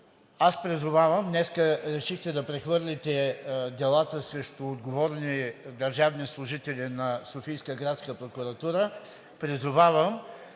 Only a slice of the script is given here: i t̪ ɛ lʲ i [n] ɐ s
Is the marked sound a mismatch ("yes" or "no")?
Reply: no